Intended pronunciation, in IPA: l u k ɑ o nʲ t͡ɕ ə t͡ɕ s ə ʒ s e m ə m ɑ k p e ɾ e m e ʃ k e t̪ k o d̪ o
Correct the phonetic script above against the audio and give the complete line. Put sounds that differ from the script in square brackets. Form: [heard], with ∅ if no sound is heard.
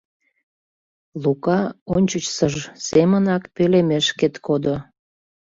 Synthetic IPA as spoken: l u k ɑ o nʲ t͡ɕ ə t͡ɕ s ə ʒ s e m ə [n] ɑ k p e [l] e m e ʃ k e t̪ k o d̪ o